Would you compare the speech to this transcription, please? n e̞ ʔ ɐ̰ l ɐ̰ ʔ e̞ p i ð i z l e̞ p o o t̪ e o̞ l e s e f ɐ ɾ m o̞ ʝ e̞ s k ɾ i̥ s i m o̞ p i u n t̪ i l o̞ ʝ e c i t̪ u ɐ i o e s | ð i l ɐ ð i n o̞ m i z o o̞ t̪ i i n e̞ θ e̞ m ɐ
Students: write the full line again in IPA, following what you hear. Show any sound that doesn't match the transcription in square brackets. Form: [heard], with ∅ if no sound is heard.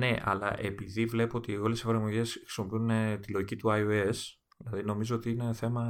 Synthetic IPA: n e̞ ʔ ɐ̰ l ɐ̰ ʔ e̞ p i ð i [v] l e̞ p o o t̪ [i] o̞ l e s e f ɐ ɾ m o̞ ʝ e̞ s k ɾ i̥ s i m o̞ p i u n t̪ i l o̞ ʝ [i] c i t̪ u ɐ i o e s | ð i l ɐ ð i n o̞ m i z o o̞ t̪ i i n e̞ θ e̞ m ɐ